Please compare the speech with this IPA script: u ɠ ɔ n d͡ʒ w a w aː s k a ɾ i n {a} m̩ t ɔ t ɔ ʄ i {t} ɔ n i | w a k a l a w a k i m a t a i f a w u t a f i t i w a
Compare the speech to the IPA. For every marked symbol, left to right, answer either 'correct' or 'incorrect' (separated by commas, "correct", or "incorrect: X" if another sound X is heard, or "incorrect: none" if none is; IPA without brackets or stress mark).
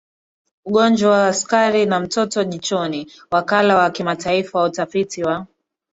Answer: correct, incorrect: t͡ʃ